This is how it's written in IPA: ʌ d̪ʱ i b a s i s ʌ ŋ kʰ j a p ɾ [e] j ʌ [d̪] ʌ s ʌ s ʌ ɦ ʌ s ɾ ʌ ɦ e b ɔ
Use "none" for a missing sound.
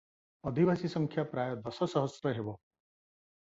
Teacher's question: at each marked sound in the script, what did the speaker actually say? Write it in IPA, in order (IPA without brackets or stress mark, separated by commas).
a, d̪